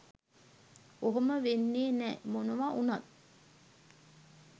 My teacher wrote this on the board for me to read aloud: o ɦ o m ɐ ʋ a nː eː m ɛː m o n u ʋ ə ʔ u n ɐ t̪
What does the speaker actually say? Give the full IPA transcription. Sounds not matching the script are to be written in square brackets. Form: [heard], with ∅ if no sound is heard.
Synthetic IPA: o ɦ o m [ə] ʋ [e] nː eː [n] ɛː m o n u ʋ [a] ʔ u n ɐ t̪